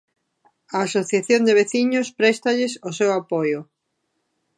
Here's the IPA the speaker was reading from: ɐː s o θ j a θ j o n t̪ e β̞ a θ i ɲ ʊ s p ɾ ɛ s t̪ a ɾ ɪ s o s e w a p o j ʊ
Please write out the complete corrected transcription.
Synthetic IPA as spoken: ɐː s o θ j a θ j o n d̪ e β̞ e θ i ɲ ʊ s p ɾ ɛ s t̪ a ʎ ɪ s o s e w a p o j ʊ

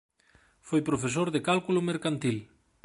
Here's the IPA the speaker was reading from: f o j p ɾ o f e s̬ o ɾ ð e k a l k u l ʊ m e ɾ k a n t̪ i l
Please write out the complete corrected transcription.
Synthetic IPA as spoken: f o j p ɾ o f e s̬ o ɾ ð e k a l k u l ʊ m e ɾ k a n t̪ i l

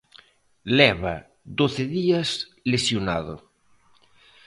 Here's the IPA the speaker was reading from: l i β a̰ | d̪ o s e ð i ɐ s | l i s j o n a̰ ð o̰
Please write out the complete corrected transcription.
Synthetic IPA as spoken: l ɛ β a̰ | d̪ o θ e ð i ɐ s | l e s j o n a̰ ð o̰

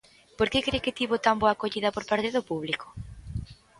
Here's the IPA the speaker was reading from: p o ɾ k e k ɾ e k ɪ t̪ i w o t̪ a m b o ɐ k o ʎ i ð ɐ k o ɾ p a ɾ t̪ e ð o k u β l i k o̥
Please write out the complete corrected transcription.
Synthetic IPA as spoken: p o ɾ k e k ɾ e k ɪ t̪ i β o t̪ a m b o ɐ k o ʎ i ð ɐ p o ɾ p a ɾ t̪ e ð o p u β l i k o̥

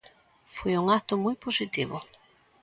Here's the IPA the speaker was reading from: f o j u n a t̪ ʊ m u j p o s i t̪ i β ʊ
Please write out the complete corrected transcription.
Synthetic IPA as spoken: f o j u ŋ a t̪ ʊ m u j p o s i t̪ i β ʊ

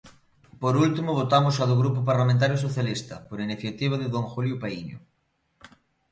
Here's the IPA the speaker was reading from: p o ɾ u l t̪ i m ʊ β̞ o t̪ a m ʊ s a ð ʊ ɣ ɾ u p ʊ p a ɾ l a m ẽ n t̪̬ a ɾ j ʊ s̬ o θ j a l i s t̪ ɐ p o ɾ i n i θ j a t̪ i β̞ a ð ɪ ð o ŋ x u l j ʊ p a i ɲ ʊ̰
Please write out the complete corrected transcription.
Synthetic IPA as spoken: p o ɾ u l t̪ i m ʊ β̞ o t̪ a m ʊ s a ð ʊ ɣ ɾ u p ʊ p a ɾ l a m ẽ n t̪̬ a ɾ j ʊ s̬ o θ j a l i s t̪ ɐ p o ɾ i n i θ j a t̪ i β̞ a ð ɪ ð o ŋ x u l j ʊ p a i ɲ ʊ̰

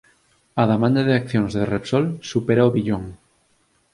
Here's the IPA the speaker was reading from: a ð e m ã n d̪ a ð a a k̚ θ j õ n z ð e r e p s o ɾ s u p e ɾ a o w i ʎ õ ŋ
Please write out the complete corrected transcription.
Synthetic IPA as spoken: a ð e m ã n d̪ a ð e a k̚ θ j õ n z ð e r e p s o l s u p e ɾ a o β i ʎ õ ŋ

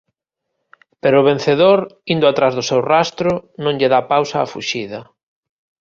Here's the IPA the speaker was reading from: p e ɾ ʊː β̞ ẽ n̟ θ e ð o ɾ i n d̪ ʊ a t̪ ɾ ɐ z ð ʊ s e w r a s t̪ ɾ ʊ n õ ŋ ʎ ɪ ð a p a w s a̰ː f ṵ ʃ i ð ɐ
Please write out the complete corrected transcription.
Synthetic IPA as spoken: p e ɾ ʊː β̞ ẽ n̟ θ e ð o ɾ i n d̪ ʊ a t̪ ɾ a z ð ʊ s e w r a s t̪ ɾ ʊ n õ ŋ ʎ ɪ ð a p a w s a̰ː f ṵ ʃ i ð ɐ

